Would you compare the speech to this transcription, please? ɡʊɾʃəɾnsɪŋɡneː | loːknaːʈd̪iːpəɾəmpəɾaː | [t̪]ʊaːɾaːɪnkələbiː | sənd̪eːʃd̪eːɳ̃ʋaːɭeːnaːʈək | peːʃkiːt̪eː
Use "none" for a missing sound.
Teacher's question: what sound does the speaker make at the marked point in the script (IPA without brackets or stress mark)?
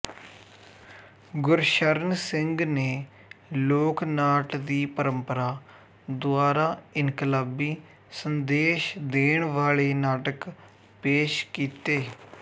d̪